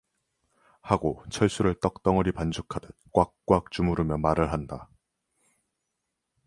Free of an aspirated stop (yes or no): no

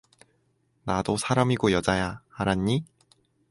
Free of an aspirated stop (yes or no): yes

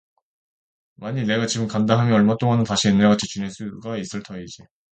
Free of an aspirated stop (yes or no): no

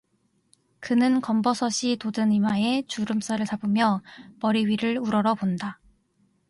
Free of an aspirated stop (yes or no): yes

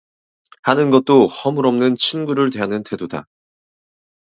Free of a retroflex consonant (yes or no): no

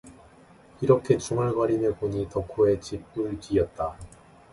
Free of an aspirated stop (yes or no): no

